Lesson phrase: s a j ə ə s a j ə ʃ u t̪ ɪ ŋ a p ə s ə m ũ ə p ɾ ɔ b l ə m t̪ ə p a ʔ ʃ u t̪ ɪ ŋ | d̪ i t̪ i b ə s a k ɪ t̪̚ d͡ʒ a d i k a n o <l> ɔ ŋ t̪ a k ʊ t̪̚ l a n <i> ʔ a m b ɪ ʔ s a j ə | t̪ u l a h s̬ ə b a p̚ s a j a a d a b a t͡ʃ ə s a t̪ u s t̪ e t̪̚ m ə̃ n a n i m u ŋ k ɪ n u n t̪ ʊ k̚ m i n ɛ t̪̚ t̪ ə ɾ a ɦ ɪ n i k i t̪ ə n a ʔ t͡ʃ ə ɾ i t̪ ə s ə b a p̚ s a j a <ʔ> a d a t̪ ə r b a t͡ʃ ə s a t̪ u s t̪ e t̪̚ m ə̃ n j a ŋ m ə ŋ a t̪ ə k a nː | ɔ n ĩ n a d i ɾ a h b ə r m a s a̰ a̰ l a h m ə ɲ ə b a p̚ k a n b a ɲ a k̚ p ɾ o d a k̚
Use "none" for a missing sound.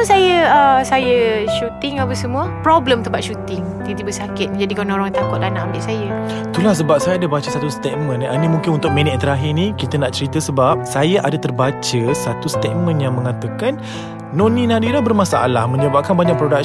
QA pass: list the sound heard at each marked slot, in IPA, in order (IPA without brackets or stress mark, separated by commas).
ɾ, a, ʔ